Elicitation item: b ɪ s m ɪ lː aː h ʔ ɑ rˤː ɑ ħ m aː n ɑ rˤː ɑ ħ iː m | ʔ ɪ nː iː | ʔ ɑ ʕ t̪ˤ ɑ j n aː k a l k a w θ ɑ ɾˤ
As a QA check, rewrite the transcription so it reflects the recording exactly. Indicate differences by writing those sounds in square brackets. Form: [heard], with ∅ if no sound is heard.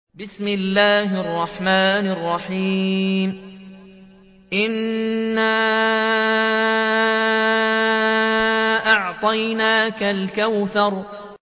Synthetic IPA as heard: b ɪ s m ɪ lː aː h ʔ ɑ rˤː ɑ ħ m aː n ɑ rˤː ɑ ħ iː m | ʔ ɪ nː [aː] | ʔ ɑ ʕ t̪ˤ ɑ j n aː k a l k a w θ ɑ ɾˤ